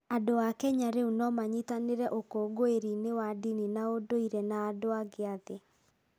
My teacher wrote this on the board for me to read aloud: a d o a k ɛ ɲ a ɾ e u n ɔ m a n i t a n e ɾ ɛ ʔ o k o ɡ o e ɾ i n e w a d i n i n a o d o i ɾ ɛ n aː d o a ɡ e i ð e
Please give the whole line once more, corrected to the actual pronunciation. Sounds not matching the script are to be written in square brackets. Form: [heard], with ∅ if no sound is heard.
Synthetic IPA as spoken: a d o a k ɛ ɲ a ɾ e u n ɔ m a [ɲ] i t a n e ɾ ɛ ʔ o k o ɡ o e ɾ i n e w a d i n i n a o d o i ɾ ɛ n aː d o a ɡ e [a] ð e